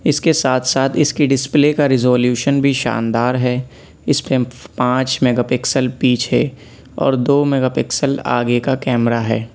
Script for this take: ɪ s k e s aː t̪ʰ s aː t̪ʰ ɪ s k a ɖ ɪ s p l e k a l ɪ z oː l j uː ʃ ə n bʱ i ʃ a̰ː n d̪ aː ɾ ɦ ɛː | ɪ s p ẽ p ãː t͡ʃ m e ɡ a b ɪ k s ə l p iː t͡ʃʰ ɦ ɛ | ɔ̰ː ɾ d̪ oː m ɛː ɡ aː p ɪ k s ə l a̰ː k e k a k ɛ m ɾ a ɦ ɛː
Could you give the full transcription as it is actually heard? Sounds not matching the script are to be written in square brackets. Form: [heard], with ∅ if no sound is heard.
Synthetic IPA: ɪ s k e s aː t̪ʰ s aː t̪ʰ ɪ s k [i] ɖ ɪ s p l e k a [ɾ] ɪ z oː l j uː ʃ ə n bʱ i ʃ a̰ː n d̪ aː ɾ ɦ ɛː | ɪ s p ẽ p ãː t͡ʃ m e ɡ a [p] ɪ k s ə l p iː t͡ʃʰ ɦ ɛ | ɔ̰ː ɾ d̪ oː m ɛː ɡ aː p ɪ k s ə l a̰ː [ɡ] e k a k [ɛː] m ɾ a ɦ ɛː

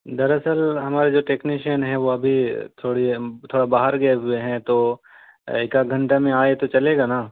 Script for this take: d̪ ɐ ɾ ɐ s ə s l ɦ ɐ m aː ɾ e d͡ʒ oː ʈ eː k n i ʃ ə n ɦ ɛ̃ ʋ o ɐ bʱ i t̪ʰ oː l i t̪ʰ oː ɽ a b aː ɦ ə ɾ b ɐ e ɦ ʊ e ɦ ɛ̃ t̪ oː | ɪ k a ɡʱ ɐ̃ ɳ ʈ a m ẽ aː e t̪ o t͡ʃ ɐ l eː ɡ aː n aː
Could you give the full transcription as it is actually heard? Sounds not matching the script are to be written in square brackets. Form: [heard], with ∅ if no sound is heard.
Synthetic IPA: d̪ ɐ ɾ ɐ s ə [∅] l ɦ ɐ m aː ɾ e d͡ʒ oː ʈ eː k n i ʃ ə n ɦ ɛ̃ ʋ o ɐ bʱ i t̪ʰ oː [ɽ] i t̪ʰ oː ɽ a b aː ɦ ə ɾ [ɡ] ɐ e ɦ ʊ e ɦ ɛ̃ t̪ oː | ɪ k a ɡʱ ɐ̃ ɳ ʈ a m ẽ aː e t̪ o t͡ʃ ɐ l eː ɡ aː n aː

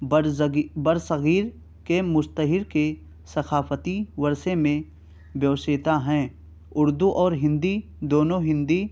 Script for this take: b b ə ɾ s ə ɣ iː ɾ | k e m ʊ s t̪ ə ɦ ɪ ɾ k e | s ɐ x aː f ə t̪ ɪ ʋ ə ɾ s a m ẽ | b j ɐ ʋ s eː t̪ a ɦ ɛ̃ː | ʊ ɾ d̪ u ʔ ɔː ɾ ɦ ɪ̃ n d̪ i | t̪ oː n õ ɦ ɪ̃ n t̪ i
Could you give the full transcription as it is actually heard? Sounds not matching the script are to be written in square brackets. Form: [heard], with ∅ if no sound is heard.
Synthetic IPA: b b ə ɾ s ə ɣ iː ɾ | k e m ʊ s t̪ ə ɦ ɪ ɾ k e | s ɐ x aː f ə t̪ [i] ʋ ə ɾ s [e] m ẽ | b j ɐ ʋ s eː t̪ a ɦ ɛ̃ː | ʊ ɾ d̪ u ʔ ɔː ɾ ɦ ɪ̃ n d̪ i | [d̪] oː n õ ɦ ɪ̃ n [d̪] i

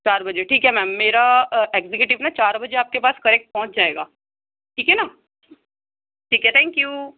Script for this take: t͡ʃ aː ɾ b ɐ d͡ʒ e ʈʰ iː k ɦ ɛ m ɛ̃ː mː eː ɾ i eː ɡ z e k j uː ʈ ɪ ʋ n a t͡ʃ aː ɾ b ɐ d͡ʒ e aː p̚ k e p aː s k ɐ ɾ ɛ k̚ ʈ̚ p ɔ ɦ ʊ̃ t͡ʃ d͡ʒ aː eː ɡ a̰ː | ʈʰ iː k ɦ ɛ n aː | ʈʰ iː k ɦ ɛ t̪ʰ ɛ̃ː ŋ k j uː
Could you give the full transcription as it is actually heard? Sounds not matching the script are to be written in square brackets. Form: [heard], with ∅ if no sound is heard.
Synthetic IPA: t͡ʃ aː ɾ b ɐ d͡ʒ e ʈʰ iː k ɦ ɛ m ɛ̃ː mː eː ɾ [a] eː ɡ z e k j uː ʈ ɪ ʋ n a t͡ʃ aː ɾ b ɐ d͡ʒ e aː p̚ k e p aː s k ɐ ɾ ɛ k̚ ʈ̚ p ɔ ɦ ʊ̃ t͡ʃ d͡ʒ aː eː ɡ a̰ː | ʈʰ iː k ɦ ɛ n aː | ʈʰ iː k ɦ ɛ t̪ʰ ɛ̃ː ŋ k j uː

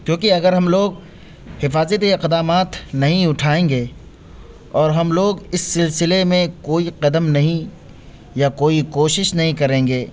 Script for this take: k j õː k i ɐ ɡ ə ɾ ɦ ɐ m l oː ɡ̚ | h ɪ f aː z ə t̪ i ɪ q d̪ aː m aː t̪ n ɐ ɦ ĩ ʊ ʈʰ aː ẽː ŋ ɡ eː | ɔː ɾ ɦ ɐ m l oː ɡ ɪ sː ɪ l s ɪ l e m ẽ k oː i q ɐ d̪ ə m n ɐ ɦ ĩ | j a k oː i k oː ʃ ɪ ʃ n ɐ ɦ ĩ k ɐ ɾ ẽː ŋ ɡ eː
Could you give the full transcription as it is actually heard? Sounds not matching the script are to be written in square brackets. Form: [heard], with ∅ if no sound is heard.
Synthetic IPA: k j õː k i ɐ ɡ ə ɾ ɦ ɐ m l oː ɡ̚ | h ɪ f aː z ə t̪ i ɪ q d̪ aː m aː t̪ n ɐ ɦ ĩ ʊ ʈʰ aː ẽː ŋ ɡ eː | ɔː ɾ ɦ ɐ m l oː ɡ ɪ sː ɪ l s ɪ l e m ẽ k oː i q ɐ d̪ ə m n ɐ ɦ ĩ | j a k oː i k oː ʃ ɪ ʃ n ɐ ɦ ĩ k ɐ ɾ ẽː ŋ ɡ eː

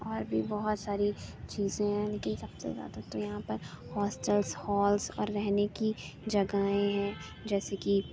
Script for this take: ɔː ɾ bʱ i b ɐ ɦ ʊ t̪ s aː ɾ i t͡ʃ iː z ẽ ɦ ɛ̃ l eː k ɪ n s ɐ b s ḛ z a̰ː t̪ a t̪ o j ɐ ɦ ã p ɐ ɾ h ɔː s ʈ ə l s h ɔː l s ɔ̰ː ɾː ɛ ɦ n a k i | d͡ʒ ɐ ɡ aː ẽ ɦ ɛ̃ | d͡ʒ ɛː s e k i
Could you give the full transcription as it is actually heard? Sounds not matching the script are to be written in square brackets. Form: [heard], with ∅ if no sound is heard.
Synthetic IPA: ɔː ɾ bʱ i b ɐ ɦ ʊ t̪ s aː ɾ i t͡ʃ iː z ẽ ɦ ɛ̃ l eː k ɪ n s ɐ b s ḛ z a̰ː [d̪] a t̪ o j ɐ ɦ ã p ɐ ɾ h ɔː s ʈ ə l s h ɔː l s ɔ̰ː ɾː ɛ ɦ n [e] k i | d͡ʒ ɐ ɡ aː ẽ ɦ ɛ̃ | d͡ʒ ɛː s e k i

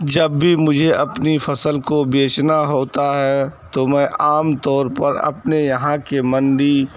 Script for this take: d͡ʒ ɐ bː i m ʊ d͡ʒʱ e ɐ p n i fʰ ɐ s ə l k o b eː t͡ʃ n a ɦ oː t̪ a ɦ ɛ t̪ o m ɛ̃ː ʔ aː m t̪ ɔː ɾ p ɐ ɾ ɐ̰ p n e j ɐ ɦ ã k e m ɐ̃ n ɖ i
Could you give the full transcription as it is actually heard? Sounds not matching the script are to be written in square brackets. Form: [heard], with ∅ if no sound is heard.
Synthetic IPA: d͡ʒ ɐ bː i m ʊ d͡ʒʱ e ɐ p n i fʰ ɐ s ə l k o b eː t͡ʃ n a ɦ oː t̪ a ɦ ɛ t̪ o m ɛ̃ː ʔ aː m t̪ ɔː ɾ p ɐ ɾ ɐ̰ p n e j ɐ ɦ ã k e m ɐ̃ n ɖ i

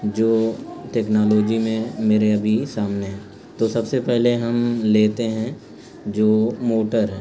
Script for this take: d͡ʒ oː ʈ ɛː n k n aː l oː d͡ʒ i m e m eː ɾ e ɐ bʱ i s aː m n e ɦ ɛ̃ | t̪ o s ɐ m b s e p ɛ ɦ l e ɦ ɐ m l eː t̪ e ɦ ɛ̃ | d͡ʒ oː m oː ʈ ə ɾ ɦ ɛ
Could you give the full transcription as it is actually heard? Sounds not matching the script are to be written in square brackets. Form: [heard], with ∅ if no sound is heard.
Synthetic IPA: d͡ʒ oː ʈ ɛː [∅] k n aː l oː d͡ʒ i m [ẽ] m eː ɾ e ɐ bʱ i s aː m n e ɦ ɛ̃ | t̪ o s ɐ [∅] b s e p ɛ ɦ l e ɦ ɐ m l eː t̪ e ɦ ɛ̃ | d͡ʒ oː m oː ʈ ə ɾ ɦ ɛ

